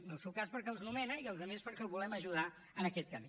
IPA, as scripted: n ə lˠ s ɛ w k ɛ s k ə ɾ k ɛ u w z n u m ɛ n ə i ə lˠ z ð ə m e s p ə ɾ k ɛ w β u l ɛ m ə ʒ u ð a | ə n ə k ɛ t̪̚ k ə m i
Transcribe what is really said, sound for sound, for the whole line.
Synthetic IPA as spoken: n ə lˠ s ɛ w k a s p ə ɾ k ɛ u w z n u m ɛ n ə i ə lˠ z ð ə m e s p ə ɾ k ɛ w β u l ɛ m ə ʒ u ð a | ə n ə k ɛ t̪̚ k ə m i